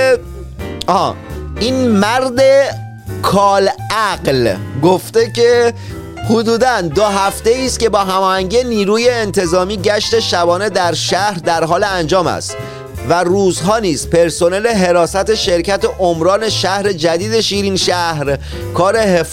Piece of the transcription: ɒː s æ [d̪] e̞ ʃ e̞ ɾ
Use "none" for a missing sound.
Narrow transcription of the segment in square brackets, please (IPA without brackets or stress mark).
t̪